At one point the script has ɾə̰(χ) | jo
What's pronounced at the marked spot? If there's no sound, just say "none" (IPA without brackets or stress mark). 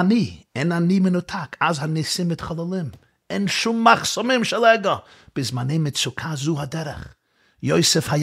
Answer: χ